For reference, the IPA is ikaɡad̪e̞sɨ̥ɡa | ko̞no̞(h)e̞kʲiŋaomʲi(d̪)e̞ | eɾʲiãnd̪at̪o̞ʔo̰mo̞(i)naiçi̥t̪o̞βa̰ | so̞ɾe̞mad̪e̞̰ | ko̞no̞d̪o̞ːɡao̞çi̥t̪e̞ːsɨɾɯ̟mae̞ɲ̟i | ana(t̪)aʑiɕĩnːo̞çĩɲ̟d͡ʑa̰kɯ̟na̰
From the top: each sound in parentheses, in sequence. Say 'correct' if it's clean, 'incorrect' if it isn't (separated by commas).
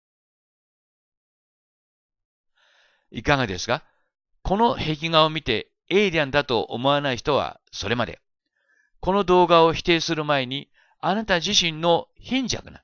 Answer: correct, incorrect, incorrect, correct